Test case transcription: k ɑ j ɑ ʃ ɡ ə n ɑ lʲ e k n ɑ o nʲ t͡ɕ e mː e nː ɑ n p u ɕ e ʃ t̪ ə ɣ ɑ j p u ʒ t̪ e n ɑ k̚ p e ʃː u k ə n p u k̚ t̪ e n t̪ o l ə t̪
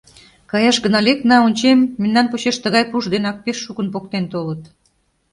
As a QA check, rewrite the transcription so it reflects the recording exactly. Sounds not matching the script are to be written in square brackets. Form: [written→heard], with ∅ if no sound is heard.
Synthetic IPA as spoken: k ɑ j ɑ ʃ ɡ ə n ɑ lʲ e k n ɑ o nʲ t͡ɕ e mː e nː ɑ n p u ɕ e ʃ t̪ ə ɣ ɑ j p u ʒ [t̪→d̪] e n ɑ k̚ p e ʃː u k ə n p [u→o] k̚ t̪ e n t̪ o l ə t̪